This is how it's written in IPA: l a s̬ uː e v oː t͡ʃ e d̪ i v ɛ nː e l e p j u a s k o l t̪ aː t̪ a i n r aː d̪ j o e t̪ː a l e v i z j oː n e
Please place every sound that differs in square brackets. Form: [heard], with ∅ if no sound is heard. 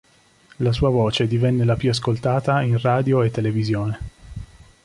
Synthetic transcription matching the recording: l a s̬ uː [a] v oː t͡ʃ e d̪ i v ɛ nː e l [a] p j u a s k o l t̪ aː t̪ a i n r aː d̪ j o e t̪ː [e] l e v i z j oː n e